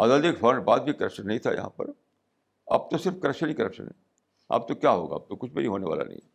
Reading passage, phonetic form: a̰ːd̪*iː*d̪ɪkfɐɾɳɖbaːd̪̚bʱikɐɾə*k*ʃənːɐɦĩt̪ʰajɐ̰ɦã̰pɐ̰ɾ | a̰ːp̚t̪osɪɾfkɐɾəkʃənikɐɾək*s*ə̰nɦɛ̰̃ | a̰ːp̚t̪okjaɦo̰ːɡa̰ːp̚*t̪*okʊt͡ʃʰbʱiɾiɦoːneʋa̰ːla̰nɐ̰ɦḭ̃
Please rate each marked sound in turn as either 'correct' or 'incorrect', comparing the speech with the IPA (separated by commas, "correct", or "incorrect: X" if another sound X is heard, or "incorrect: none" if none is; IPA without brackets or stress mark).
incorrect: aː, correct, incorrect: ʃ, correct